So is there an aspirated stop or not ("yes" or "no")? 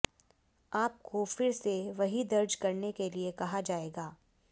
no